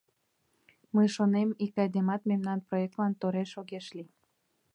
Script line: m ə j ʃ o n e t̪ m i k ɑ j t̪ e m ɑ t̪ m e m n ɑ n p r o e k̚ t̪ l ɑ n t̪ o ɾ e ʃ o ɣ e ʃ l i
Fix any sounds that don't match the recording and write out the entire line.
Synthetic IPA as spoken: m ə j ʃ o n e m i k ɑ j d̪ e m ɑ t̪ m e m n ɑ n p r o e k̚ t̪ l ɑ n t̪ o ɾ e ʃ o ɣ e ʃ l i

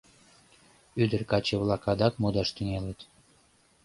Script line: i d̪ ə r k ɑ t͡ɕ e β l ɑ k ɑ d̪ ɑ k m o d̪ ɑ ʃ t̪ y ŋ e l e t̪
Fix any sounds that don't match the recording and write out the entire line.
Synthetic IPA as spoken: y d̪ ə r k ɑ t͡ɕ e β l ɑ k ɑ d̪ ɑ k m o d̪ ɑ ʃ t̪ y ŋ e l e t̪

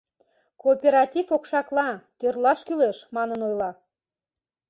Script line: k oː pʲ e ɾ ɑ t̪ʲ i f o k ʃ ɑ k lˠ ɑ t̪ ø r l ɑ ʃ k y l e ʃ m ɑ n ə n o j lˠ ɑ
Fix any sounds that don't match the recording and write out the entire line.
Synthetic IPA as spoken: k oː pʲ e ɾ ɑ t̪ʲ i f o k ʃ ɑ k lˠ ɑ t̪ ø r l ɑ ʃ k y l e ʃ m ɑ n ə n o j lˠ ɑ

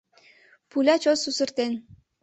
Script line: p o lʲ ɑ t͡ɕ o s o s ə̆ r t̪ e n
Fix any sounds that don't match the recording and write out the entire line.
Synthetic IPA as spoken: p u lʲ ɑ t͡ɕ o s u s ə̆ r t̪ e n

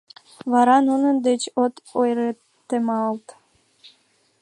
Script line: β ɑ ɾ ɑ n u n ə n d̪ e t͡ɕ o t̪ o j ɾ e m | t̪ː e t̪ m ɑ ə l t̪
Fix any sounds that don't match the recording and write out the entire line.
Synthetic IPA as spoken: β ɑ ɾ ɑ n u n ə n d̪ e t͡ɕ o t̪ o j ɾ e | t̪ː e m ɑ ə l t̪

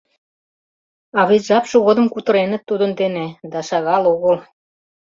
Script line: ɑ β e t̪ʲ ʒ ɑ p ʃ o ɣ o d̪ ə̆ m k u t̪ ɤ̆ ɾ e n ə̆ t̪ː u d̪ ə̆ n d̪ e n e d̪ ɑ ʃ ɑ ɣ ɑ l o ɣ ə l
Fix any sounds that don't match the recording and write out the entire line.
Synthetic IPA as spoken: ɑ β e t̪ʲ ʒ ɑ p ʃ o ɣ o d̪ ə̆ m k u t̪ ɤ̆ ɾ e n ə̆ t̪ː u d̪ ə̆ n d̪ e n e d̪ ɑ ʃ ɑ ɣ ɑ l o ɣ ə l

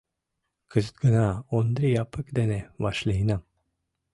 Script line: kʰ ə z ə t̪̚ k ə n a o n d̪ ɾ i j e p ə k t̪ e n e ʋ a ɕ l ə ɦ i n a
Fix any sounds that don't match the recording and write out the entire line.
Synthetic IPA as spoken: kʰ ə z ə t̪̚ ɡ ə n a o n d̪ ɾ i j a p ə k d̪ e n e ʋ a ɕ l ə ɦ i n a

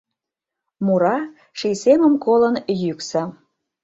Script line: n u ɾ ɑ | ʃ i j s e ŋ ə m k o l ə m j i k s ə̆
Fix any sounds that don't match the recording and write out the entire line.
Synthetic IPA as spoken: m u ɾ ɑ | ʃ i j s e m ə m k o l ə n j y k s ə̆

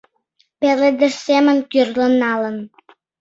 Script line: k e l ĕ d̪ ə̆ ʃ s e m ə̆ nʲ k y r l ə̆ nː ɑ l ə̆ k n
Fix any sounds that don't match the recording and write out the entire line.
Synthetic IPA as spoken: p e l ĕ d̪ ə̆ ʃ s e m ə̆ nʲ k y r l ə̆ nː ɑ l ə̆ n

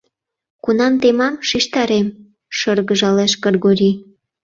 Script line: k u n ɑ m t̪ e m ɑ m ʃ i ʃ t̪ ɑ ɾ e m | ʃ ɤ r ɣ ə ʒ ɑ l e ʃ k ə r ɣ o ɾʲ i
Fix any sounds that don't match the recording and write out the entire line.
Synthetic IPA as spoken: k u n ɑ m t̪ e m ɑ m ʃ i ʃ t̪ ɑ ɾ e m | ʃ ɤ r ɣ ə ʒ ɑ l e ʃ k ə r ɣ o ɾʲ i

